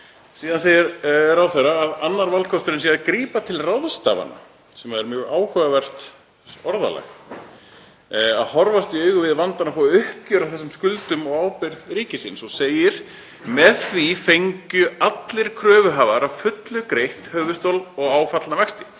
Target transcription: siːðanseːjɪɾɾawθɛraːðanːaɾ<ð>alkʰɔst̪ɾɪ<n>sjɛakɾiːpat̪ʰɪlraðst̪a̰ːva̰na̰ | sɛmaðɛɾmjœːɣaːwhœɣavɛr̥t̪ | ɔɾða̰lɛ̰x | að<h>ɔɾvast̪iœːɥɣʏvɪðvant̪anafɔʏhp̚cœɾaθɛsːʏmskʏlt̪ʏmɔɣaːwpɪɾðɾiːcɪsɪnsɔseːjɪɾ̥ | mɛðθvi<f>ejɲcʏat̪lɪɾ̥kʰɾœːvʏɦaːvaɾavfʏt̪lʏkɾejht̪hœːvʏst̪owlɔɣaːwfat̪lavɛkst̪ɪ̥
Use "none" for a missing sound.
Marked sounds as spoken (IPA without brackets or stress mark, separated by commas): v, n, h, f